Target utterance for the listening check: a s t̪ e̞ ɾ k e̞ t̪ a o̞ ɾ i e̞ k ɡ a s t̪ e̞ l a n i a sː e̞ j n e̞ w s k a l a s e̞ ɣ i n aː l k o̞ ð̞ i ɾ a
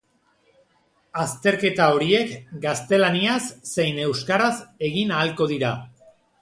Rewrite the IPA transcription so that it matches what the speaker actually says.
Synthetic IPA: a s t̪ e̞ ɾ k e̞ t̪ a o̞ ɾ i e̞ k ɡ a s t̪ e̞ l a n i a sː e̞ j n e̞ w s k a ɾ a s e̞ ɣ i n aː l k o̞ ð̞ i ɾ a